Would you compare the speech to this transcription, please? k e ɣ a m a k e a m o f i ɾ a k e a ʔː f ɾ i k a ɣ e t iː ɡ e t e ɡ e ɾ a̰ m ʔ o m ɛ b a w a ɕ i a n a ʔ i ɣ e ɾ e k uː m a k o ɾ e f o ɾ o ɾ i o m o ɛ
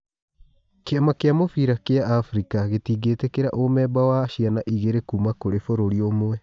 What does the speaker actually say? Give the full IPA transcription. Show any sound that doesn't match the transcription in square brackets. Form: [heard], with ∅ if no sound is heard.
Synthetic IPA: k e [∅] a m a k e a m o f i ɾ a k e a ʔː f ɾ i k a ɣ e t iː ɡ e t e [k] e ɾ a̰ [∅] ʔ o m ɛ b a w a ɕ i a n a ʔ i ɣ e ɾ e k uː m a k o ɾ e f o ɾ o ɾ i o m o ɛ